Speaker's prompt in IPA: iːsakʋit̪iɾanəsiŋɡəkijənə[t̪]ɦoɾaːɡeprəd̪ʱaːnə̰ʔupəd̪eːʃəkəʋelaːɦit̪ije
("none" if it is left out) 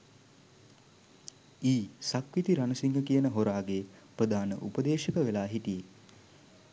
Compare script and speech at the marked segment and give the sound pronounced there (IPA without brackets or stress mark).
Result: none